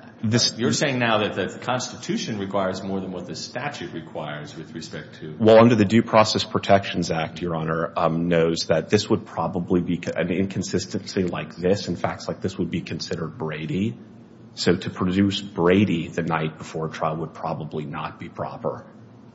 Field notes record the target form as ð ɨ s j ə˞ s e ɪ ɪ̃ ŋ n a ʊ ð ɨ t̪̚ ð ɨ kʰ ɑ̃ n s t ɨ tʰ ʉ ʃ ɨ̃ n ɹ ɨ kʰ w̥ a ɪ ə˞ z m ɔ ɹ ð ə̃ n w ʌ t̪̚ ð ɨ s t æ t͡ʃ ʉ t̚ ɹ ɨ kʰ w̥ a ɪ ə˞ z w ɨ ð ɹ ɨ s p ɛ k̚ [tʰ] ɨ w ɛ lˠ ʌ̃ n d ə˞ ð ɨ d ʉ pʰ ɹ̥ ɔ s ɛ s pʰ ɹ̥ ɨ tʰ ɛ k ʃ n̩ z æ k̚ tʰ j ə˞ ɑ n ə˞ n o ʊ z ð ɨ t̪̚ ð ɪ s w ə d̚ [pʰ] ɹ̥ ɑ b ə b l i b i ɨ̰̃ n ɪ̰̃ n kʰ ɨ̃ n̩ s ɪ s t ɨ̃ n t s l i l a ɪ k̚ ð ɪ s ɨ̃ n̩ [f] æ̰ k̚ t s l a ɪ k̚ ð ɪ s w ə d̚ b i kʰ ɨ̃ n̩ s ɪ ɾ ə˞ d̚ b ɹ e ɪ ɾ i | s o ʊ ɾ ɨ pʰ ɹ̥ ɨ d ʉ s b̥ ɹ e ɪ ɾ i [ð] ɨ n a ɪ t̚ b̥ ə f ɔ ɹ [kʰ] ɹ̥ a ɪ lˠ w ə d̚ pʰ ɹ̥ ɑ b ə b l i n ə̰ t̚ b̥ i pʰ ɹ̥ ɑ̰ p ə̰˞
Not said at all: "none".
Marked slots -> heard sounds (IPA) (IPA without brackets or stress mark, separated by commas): tʰ, pʰ, f, ð, tʰ